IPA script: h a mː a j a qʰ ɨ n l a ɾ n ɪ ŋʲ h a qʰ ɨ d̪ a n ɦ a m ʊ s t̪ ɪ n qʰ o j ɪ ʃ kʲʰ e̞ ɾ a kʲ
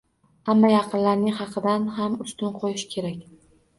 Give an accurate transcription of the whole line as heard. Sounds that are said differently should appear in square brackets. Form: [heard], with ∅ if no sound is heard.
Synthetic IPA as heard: h a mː a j [ɑ] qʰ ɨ n l a ɾ n ɪ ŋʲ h [ɑ] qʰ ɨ d̪ a n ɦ a m ʊ s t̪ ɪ n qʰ o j ɪ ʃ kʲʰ e̞ ɾ a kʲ

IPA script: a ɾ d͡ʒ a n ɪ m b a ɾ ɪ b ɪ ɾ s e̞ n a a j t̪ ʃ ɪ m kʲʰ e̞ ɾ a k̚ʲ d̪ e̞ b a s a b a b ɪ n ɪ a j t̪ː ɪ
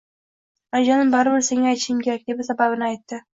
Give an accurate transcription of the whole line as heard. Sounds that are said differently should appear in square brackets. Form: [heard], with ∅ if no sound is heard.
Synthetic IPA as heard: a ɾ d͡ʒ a n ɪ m b a ɾ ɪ b ɪ ɾ s e̞ [ŋ] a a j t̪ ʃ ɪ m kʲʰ e̞ ɾ a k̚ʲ d̪ e̞ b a s a b a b ɪ n ɪ a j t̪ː ɪ

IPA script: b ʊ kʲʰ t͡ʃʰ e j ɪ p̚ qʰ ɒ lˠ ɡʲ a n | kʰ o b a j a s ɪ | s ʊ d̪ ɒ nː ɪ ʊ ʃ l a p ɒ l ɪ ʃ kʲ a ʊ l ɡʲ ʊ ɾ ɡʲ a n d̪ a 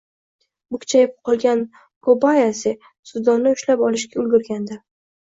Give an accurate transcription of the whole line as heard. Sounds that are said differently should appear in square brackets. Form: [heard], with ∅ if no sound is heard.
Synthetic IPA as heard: b ʊ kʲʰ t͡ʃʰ [a] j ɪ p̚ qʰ ɒ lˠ ɡʲ a n | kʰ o b a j a s ɪ | s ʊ d̪ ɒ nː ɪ ʊ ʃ l a p ɒ l ɪ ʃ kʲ a ʊ l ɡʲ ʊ ɾ ɡʲ a n d̪ a

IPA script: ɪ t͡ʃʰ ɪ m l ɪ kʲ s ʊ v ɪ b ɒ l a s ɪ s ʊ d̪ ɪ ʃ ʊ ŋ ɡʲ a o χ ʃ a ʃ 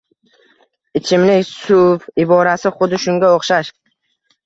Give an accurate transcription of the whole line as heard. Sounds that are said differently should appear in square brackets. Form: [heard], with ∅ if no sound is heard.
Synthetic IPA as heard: ɪ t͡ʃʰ ɪ m l ɪ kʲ s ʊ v ɪ b ɒ [ɾ] a s ɪ [χ] ʊ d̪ ɪ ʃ ʊ ŋ ɡʲ a o χ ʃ a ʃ

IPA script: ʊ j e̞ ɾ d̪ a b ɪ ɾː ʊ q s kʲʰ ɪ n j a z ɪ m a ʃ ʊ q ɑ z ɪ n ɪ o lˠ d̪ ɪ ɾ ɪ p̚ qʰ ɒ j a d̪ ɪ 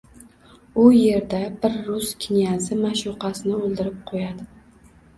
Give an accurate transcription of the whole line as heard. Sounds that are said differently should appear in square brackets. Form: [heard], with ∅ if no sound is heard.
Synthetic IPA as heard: ʊ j e̞ ɾ d̪ a b ɪ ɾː ʊ [∅] s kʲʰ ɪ n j a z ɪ m a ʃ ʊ q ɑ [s] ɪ n ɪ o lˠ d̪ ɪ ɾ ɪ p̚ qʰ [o] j a d̪ ɪ

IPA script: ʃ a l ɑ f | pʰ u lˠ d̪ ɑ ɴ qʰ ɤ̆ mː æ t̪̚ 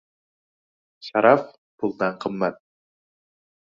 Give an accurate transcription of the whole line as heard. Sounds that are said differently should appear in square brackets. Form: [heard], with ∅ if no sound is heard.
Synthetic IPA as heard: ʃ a [ɾ] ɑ f | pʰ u lˠ d̪ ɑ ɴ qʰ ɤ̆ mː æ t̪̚

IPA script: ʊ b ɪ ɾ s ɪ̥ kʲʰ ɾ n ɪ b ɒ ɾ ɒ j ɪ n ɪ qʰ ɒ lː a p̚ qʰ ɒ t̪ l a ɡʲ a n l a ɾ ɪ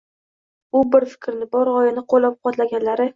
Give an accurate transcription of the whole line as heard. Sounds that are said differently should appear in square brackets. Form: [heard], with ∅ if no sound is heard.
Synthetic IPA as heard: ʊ b ɪ ɾ [f] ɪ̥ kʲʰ ɾ n ɪ b ɒ ɾ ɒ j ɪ n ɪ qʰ [o] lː a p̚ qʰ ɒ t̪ l a ɡʲ a n l a ɾ ɪ

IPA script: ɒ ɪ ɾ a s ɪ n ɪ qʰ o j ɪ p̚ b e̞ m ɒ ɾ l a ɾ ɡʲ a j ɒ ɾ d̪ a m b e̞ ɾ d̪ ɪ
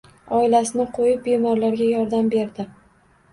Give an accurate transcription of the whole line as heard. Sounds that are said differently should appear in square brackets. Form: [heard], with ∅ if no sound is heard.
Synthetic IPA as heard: ɒ ɪ [l] a s ɪ n ɪ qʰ o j ɪ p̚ b e̞ m ɒ ɾ l a ɾ ɡʲ a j ɒ ɾ d̪ a m b e̞ ɾ d̪ ɪ

